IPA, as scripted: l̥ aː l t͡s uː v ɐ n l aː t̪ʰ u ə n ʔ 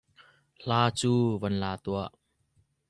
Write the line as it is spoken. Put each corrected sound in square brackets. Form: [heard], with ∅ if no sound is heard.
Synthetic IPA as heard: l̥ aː [∅] t͡s uː v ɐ n l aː [t̪] u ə [∅] ʔ